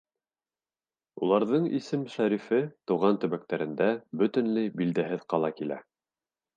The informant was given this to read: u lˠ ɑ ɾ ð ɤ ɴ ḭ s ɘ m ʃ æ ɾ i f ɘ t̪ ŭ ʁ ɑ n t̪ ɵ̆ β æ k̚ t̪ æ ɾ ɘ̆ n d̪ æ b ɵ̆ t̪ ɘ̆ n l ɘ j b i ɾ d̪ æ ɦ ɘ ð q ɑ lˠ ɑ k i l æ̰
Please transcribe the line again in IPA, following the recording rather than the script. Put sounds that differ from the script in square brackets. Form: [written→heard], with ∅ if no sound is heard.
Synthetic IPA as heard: u lˠ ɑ ɾ ð ɤ ɴ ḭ s ɘ m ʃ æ ɾ i f ɘ t̪ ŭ ʁ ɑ n t̪ ɵ̆ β æ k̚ t̪ æ ɾ ɘ̆ n d̪ æ b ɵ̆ t̪ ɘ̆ n l ɘ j b i [ɾ→l] d̪ æ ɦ ɘ ð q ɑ lˠ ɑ k i l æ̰